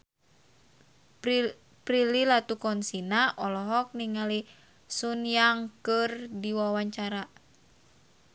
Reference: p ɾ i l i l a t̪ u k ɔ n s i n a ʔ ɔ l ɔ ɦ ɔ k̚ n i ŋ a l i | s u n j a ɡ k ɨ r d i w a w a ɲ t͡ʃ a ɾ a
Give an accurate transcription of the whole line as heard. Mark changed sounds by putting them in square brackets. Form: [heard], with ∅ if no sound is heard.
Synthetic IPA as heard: p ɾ i l i l a t̪ u k ɔ n s i n a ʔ ɔ l ɔ ɦ ɔ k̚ n i ŋ a l i | s u n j a [ŋ] k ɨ r d i w a w a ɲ t͡ʃ a ɾ a